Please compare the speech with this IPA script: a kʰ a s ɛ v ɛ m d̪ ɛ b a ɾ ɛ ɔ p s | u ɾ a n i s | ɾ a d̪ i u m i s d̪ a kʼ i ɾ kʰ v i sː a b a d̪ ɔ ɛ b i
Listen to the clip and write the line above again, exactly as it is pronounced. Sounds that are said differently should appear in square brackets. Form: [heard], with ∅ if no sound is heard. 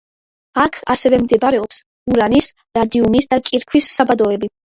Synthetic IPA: a kʰ a s ɛ v ɛ m d̪ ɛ b a ɾ ɛ ɔ p s | u ɾ a n i s | ɾ a d̪ i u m i s d̪ a kʼ i ɾ kʰ [w] i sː a b a d̪ ɔ ɛ b i

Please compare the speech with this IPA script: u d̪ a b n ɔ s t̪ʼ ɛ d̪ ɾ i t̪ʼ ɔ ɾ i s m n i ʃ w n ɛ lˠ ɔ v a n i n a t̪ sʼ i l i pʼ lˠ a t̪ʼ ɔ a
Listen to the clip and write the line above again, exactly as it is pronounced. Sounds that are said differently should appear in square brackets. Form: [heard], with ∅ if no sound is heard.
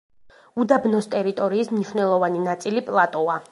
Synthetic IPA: u d̪ a b n ɔ s t̪ʼ ɛ [∅] ɾ i t̪ʼ ɔ ɾ [iː] s m n i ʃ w n ɛ lˠ ɔ v a n i n a t̪ sʼ i l i pʼ lˠ a t̪ʼ ɔ a

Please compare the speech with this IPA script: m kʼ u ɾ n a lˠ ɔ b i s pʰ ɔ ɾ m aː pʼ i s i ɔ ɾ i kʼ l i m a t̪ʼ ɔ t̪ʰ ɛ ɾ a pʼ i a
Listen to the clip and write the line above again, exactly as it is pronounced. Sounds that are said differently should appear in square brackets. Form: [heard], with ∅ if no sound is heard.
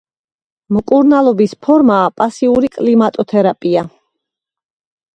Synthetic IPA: m kʼ u ɾ n a lˠ ɔ b i s pʰ ɔ ɾ m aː pʼ [a] s i [u] ɾ i kʼ l i m a t̪ʼ ɔ t̪ʰ ɛ ɾ a pʼ i a

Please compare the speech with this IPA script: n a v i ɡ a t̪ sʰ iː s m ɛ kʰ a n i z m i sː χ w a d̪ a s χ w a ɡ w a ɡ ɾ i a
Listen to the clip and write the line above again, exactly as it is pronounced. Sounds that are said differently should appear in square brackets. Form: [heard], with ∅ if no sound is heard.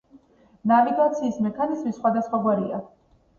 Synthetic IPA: n a v i ɡ a t̪ sʰ iː s m ɛ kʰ a n i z m i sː χ w a d̪ a s χ w a ɡ w a [∅] ɾ i a

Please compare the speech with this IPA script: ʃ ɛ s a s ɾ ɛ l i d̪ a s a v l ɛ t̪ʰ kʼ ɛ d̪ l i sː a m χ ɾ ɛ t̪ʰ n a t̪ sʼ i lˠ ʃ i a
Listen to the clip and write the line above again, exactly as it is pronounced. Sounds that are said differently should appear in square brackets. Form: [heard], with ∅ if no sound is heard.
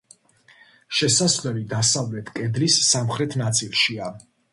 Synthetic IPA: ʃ ɛ s a s [l] ɛ l i d̪ a s a v l ɛ t̪ʰ kʼ ɛ d̪ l i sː a m χ ɾ ɛ t̪ʰ n a t̪ sʼ i lˠ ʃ i a

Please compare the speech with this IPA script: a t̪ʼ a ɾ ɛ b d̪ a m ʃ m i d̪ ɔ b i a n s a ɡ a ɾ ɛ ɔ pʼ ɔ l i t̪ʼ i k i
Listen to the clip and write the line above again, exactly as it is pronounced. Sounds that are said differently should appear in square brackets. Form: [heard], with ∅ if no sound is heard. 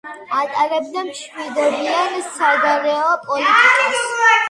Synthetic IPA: a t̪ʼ a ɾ ɛ b d̪ a m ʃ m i d̪ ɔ b i a n s a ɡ a ɾ ɛ ɔ pʼ ɔ l i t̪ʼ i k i

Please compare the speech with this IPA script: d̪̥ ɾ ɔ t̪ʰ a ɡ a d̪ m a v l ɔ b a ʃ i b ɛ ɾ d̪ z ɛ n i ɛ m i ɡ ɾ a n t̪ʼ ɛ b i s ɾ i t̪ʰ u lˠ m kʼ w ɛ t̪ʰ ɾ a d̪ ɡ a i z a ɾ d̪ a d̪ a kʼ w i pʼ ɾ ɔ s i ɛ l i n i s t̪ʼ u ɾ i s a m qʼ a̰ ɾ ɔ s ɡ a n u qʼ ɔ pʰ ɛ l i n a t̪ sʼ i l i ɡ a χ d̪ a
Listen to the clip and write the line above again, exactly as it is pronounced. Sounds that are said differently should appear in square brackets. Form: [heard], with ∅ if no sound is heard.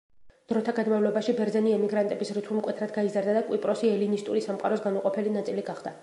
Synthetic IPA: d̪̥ ɾ ɔ t̪ʰ a ɡ a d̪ m a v l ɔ b a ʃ i b ɛ ɾ d̪ z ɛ n i ɛ m i ɡ ɾ a n t̪ʼ ɛ b i s ɾ i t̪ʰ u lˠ m kʼ w ɛ t̪ʰ ɾ a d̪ ɡ a i z a ɾ d̪ a d̪ a kʼ w i pʼ ɾ ɔ s i ɛ l i n i s t̪ʼ u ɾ i s a m qʼ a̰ ɾ ɔ s ɡ a n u qʼ ɔ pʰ ɛ l i n a t̪ sʼ i l i ɡ a χ d̪ a

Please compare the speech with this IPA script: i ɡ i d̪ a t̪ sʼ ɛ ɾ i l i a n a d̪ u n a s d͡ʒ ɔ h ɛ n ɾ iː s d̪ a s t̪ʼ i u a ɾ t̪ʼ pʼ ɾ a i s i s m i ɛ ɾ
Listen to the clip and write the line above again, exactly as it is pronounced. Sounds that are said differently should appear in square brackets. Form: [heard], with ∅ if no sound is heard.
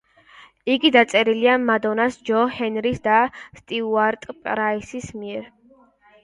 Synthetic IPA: i ɡ i d̪ a t̪ sʼ ɛ ɾ i l i a [m] a d̪ [ɔ] n a s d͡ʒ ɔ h ɛ n ɾ [i] s d̪ a s t̪ʼ i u a ɾ t̪ʼ pʼ ɾ a i s i s m i ɛ ɾ

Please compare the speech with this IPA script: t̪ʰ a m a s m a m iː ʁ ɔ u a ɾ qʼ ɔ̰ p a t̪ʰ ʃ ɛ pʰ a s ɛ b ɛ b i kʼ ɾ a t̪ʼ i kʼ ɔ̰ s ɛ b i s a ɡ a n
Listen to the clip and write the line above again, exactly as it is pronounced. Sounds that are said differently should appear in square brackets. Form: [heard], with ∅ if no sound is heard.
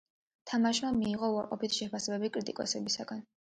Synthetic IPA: t̪ʰ a m a [ʃ] m a m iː ʁ ɔ u a ɾ qʼ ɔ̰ p [i] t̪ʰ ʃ ɛ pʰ a s ɛ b ɛ b i kʼ ɾ [i] t̪ʼ i kʼ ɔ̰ s ɛ b i s a ɡ a n

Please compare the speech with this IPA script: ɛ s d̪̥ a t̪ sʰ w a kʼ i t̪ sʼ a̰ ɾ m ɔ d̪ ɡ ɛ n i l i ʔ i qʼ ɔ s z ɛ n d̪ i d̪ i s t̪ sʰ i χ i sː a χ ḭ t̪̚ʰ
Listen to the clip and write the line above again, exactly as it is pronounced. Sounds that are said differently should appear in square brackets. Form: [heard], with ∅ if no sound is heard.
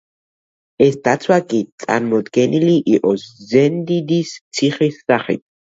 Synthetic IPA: ɛ s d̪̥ a t̪ sʰ w a kʼ i t̪ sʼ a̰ ɾ m ɔ d̪ ɡ ɛ n i l i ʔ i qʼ ɔ s z ɛ n d̪ i d̪ i s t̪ sʰ i χ i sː a χ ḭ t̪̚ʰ

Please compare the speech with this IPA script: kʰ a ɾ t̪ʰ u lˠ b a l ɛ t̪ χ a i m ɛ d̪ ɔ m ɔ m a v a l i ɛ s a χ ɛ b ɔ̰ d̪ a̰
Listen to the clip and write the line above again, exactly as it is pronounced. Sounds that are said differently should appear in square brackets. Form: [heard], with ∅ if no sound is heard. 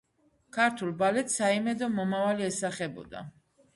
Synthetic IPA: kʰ a ɾ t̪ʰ u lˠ b a l ɛ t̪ [s] a i m ɛ d̪ ɔ m ɔ m a v a l i ɛ s a χ ɛ b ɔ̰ d̪ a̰

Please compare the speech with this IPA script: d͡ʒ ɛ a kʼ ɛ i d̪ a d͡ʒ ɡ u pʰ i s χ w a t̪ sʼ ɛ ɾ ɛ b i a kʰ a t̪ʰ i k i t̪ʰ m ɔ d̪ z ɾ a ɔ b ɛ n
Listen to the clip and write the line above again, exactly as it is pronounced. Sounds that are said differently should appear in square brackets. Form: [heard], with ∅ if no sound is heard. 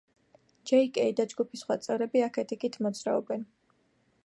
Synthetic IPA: d͡ʒ ɛ [i] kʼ ɛ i d̪ a d͡ʒ ɡ u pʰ i s χ w a t̪ sʼ ɛ ɾ ɛ b i a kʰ [ɛ] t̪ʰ i k i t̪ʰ m ɔ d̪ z ɾ a ɔ b ɛ n

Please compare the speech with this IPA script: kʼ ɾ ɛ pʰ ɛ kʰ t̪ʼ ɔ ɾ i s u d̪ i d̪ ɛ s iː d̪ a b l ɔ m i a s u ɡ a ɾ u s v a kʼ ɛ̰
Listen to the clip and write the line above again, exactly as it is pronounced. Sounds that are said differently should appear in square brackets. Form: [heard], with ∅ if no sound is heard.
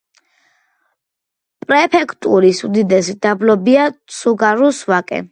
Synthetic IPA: [pʼ] ɾ ɛ pʰ ɛ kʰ t̪ʼ [u] ɾ i s u d̪ i d̪ ɛ s [i] d̪ a b l ɔ [b] i a s u ɡ a ɾ u s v a kʼ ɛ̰

